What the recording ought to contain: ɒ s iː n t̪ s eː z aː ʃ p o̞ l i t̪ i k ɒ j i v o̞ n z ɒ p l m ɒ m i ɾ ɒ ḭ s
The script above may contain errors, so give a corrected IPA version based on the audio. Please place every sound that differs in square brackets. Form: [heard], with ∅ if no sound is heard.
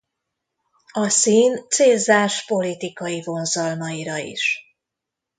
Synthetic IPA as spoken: ɒ s iː n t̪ s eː z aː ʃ p o̞ l i t̪ i k ɒ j i v o̞ n z ɒ [∅] l m ɒ [∅] i ɾ ɒ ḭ [ʃ]

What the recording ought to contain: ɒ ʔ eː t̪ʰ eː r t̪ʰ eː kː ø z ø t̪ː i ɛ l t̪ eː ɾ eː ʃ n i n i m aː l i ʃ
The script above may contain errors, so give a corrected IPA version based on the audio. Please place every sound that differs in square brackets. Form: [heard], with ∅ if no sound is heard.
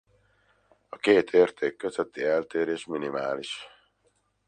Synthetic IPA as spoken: ɒ [k] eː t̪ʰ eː r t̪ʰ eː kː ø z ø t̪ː i ɛ l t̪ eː ɾ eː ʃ [m] i n i m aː l i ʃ

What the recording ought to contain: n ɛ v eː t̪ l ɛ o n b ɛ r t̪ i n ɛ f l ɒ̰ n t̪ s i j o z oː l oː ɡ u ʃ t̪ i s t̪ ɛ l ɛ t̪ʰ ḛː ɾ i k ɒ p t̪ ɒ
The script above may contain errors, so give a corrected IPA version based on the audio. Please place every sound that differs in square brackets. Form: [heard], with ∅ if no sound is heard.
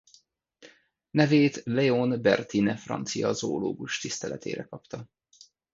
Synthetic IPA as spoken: n ɛ v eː t̪ l ɛ o n b ɛ r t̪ i n ɛ f [r] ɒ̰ n t̪ s i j [ɒ] z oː l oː ɡ u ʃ t̪ i s t̪ ɛ l ɛ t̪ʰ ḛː ɾ [ɛ] k ɒ p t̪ ɒ

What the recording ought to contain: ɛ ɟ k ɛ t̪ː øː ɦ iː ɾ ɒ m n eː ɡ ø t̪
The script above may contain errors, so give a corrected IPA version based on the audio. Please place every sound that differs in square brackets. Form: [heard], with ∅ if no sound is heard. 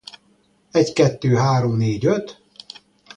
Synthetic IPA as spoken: ɛ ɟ k ɛ t̪ː øː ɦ [aː] ɾ [o] m n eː [ɟ] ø t̪

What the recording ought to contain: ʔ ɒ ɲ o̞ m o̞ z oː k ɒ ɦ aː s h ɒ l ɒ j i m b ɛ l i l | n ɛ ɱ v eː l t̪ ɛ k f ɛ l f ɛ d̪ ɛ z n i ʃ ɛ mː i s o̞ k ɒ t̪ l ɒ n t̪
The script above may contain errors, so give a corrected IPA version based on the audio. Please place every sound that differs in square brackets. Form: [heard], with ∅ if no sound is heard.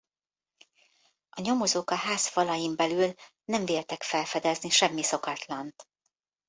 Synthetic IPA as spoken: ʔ ɒ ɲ o̞ m o̞ z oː k ɒ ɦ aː s [f] ɒ l ɒ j i m b ɛ l [y] l | n ɛ ɱ v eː l t̪ ɛ k f ɛ l f ɛ d̪ ɛ z n i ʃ ɛ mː i s o̞ k ɒ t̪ l ɒ n t̪

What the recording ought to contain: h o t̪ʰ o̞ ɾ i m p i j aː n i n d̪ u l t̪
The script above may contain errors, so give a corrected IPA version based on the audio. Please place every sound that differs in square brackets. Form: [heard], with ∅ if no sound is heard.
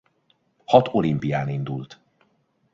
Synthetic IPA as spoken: h [ɒ] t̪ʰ o̞ [l] i m p i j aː n i n d̪ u l t̪

